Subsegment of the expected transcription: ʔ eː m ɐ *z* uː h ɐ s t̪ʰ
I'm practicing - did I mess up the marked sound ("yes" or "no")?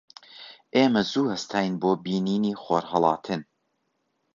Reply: no